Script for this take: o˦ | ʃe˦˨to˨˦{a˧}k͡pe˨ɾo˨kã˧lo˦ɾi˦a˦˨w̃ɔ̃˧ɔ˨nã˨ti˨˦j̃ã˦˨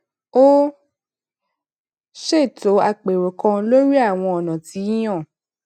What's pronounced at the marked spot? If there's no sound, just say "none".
a˧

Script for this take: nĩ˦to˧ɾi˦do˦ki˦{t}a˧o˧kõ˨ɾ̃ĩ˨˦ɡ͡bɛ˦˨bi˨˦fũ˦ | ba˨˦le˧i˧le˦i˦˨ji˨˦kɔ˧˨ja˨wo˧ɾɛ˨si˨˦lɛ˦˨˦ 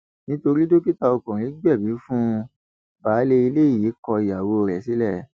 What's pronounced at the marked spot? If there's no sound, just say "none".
t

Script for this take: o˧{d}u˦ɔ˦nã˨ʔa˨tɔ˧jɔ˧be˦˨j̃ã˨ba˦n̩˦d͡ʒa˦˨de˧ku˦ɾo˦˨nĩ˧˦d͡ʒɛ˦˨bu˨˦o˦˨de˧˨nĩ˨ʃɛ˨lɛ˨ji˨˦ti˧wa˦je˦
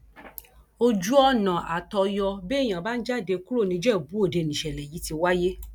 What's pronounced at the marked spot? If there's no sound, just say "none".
d͡ʒ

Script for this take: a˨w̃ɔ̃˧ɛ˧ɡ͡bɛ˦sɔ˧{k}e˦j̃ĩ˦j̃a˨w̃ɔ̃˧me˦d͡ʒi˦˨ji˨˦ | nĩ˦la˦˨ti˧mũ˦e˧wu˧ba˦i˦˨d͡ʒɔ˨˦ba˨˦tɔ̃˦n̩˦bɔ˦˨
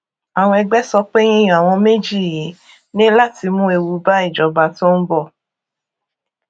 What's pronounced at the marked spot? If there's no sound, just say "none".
k͡p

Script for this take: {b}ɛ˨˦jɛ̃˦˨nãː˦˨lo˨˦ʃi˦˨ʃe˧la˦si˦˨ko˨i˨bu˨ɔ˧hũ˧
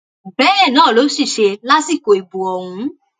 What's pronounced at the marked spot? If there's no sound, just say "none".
b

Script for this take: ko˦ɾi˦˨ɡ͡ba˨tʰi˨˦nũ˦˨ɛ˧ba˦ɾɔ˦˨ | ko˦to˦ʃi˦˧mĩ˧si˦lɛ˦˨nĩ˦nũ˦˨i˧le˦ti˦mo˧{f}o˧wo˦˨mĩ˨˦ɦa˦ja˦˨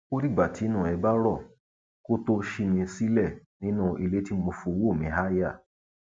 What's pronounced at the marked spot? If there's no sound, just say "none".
f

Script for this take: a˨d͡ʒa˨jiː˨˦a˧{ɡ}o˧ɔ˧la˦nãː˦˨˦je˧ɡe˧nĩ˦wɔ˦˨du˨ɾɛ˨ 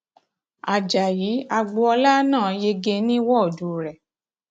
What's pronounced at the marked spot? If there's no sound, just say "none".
ɡ͡b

